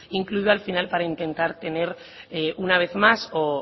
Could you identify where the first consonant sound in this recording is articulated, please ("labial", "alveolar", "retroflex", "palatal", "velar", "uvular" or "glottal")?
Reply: velar